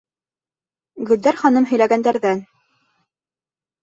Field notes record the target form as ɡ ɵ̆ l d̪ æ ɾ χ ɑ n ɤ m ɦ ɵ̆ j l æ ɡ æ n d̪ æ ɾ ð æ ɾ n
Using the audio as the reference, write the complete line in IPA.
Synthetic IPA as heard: ɡ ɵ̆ l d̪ æ ɾ χ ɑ n ɤ m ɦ ɵ̆ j l æ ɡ æ n d̪ æ ɾ ð æ n